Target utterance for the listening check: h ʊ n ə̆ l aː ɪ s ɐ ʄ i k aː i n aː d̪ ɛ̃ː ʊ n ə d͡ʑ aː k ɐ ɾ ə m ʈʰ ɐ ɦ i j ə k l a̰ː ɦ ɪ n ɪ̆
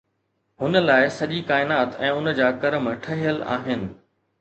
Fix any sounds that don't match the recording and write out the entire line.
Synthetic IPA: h ʊ n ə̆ l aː ɪ s ɐ ʄ i k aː ɪ n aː t̪ ɛ̃ː ʊ n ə d͡ʑ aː k ɐ ɾ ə m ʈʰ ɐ ɦ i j ə l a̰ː ɦ ɪ n ɪ̆